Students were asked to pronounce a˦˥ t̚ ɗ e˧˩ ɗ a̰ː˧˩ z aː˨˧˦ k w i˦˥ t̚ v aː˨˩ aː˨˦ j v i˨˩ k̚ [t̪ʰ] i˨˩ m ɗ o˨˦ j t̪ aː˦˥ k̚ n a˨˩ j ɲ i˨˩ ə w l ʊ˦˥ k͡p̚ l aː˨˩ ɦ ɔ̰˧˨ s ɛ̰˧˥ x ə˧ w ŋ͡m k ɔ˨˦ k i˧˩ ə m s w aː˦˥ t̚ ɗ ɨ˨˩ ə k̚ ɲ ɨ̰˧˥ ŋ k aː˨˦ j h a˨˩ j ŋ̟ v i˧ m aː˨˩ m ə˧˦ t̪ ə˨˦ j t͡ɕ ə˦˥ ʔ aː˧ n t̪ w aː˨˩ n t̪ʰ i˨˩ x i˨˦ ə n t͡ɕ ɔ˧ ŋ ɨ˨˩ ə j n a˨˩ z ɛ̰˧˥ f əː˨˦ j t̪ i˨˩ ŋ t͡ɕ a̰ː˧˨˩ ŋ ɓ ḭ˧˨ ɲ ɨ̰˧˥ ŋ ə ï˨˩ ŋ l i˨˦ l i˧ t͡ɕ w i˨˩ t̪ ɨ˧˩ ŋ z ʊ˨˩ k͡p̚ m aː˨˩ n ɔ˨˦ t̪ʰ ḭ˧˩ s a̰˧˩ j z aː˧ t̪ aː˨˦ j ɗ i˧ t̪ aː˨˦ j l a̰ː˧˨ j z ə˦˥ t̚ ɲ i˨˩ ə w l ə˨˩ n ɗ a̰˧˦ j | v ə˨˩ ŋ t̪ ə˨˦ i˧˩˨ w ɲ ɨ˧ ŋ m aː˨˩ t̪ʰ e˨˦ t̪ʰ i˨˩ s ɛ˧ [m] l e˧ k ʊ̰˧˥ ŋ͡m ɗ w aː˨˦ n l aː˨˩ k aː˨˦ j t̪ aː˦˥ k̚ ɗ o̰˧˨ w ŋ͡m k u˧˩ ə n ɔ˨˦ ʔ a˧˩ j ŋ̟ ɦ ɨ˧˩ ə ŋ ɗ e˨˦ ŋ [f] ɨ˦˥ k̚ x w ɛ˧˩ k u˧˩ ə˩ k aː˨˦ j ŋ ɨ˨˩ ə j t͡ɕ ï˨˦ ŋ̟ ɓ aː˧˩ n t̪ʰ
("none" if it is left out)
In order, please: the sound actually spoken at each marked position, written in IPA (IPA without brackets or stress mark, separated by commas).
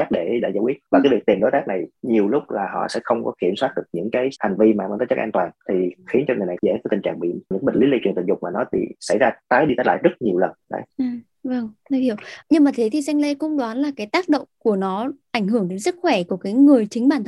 t̪, ŋ, s